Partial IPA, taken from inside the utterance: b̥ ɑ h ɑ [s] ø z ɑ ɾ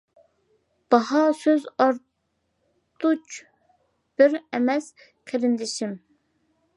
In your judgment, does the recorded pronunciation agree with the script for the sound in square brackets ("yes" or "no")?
yes